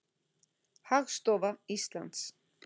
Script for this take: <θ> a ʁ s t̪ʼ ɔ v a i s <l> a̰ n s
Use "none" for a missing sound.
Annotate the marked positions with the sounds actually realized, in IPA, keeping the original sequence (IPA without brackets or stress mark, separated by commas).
h, l